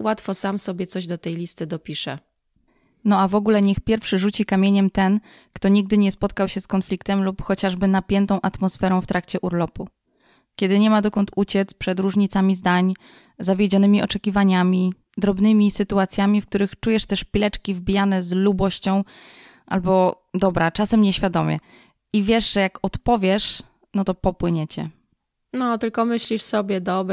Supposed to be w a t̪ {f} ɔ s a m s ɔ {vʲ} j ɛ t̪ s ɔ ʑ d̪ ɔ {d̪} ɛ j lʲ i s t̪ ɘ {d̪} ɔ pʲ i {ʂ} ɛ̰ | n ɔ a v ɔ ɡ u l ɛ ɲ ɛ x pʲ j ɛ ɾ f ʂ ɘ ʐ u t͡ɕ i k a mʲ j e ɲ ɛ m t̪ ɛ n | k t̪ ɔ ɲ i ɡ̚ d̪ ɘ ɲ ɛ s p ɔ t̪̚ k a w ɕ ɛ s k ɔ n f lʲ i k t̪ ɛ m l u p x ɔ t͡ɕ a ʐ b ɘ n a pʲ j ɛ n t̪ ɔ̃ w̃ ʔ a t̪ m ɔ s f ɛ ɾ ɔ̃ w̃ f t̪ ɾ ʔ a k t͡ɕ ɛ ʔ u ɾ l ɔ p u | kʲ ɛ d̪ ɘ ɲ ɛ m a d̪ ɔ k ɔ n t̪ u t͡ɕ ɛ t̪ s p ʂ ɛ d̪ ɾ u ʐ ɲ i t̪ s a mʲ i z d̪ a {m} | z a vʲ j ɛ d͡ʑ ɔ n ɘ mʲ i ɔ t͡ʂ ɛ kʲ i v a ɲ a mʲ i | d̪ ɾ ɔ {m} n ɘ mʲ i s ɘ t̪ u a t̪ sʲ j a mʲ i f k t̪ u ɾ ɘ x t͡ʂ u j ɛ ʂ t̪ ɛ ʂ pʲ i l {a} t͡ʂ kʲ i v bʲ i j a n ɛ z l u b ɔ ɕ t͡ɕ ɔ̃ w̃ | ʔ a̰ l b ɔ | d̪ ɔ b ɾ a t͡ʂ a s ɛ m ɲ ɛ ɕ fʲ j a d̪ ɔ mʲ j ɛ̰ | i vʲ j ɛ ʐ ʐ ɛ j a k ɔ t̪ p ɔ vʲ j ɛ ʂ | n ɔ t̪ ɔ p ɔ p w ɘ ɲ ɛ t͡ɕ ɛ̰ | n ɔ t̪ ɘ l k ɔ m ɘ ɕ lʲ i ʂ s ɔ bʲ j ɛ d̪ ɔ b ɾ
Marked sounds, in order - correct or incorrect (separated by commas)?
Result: correct, incorrect, incorrect, correct, correct, incorrect, incorrect, incorrect